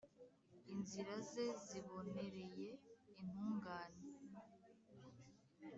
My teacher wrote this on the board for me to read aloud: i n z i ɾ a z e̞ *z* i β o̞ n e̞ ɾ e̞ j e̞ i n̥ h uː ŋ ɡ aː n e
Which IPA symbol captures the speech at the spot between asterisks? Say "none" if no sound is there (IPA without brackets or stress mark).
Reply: z